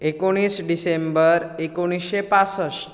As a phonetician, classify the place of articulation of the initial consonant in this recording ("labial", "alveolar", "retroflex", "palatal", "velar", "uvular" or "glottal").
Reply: velar